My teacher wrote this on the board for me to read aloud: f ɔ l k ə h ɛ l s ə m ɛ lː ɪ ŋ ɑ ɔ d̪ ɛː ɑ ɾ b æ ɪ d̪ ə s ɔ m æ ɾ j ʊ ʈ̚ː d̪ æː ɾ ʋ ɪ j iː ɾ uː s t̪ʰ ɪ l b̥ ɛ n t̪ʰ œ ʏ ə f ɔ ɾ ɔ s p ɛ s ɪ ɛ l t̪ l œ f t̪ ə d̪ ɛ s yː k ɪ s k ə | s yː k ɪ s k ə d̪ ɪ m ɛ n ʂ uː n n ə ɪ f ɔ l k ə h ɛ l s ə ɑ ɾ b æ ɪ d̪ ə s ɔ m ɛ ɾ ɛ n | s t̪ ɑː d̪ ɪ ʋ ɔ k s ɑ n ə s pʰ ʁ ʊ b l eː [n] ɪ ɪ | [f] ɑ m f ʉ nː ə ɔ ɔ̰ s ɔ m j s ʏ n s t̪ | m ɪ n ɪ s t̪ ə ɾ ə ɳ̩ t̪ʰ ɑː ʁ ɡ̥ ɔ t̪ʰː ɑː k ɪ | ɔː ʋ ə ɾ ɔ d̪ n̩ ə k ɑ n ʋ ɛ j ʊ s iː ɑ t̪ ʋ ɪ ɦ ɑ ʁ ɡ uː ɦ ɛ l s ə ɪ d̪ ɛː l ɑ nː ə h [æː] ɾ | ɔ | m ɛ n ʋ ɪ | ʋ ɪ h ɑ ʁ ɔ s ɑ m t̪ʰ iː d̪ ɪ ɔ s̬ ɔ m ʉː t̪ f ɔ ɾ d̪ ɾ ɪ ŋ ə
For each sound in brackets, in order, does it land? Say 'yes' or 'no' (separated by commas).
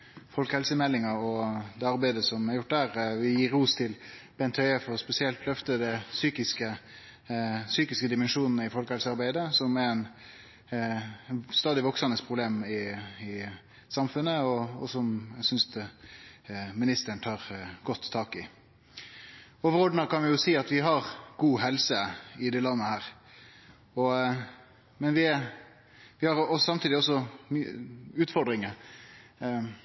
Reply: no, no, yes